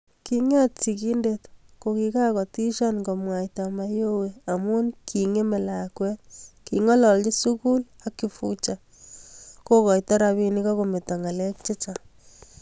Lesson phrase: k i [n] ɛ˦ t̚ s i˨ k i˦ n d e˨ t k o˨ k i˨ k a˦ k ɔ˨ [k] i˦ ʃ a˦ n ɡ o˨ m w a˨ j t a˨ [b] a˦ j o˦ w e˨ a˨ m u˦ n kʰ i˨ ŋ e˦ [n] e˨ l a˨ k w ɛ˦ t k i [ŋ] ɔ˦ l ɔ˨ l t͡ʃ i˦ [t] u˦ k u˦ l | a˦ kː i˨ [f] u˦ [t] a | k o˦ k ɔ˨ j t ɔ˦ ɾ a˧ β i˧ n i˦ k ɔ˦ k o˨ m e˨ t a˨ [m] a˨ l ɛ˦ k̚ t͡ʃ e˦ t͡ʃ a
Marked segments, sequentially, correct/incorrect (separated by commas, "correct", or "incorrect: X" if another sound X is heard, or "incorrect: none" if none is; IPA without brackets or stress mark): incorrect: ŋ, incorrect: t, incorrect: m, incorrect: m, correct, incorrect: s, correct, incorrect: t͡ʃ, incorrect: ŋ